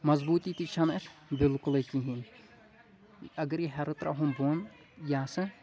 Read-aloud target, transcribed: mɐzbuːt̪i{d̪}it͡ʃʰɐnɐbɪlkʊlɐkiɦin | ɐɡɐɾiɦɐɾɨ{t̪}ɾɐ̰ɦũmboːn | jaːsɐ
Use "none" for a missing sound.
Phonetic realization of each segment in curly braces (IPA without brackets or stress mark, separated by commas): t̪, t̪